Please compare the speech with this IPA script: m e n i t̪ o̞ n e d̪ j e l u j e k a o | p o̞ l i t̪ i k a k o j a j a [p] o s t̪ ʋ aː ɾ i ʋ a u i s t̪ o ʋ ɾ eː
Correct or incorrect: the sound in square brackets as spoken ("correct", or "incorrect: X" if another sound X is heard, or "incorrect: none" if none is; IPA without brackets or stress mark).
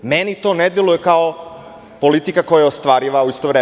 incorrect: none